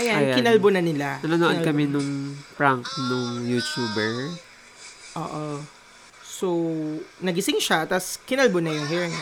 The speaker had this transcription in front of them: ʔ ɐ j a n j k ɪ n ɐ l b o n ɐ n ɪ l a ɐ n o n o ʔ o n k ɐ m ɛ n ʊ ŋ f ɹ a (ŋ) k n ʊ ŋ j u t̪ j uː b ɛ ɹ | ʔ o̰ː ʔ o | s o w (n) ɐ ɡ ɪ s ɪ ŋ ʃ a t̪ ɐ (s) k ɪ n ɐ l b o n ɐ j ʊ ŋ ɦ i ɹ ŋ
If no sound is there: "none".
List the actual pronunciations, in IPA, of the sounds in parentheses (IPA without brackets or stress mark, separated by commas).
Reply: ŋ, n, s